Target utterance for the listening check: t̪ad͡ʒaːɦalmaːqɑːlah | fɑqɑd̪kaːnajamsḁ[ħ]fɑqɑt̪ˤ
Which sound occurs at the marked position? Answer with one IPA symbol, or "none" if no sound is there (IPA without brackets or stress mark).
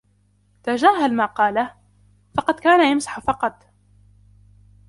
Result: ħ